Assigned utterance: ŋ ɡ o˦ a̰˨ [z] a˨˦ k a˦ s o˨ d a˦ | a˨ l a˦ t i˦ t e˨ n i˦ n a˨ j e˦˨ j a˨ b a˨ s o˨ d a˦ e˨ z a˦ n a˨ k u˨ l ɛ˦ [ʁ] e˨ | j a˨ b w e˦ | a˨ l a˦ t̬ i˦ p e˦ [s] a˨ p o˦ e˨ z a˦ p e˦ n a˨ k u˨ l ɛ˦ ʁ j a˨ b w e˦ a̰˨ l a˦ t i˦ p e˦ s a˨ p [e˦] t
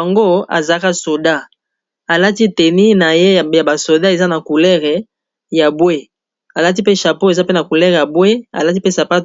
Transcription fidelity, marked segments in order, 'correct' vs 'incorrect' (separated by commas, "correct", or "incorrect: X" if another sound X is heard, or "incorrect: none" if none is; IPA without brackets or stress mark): correct, correct, incorrect: ʃ, incorrect: a˦